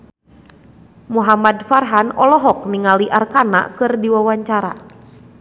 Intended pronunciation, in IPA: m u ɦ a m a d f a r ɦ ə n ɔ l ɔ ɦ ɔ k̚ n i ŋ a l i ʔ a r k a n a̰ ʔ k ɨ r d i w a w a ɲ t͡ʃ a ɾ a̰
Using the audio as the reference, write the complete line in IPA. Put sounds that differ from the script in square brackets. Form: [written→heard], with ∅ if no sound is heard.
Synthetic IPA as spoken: m u ɦ a m a d f a r ɦ [ə→a] n ɔ l ɔ ɦ ɔ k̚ n i ŋ a l i ʔ a r k a n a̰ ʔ k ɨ r d i w a w a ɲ t͡ʃ a ɾ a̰